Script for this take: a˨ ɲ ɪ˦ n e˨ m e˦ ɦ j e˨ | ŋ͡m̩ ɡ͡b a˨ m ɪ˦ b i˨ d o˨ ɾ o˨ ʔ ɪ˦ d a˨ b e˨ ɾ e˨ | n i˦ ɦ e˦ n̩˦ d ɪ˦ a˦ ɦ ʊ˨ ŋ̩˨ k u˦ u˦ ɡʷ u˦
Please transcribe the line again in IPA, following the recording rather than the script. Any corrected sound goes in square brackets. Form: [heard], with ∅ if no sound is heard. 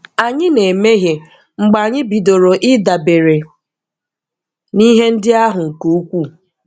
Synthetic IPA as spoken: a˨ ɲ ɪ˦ n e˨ m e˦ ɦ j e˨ | ŋ͡m̩ ɡ͡b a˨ [ɲ] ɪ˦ b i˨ d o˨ ɾ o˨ ʔ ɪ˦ d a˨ b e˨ ɾ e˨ | n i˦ ɦ e˦ n̩˦ d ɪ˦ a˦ ɦ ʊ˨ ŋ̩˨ k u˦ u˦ [kʷ] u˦